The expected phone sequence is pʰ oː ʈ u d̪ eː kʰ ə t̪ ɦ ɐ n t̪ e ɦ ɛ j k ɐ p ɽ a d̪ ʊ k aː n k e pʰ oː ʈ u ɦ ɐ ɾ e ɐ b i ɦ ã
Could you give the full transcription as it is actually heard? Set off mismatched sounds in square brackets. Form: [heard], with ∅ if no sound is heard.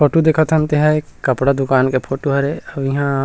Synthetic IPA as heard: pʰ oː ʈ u d̪ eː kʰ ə t̪ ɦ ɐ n t̪ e ɦ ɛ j k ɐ p ɽ a d̪ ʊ k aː n k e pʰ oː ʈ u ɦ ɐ ɾ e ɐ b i ɦ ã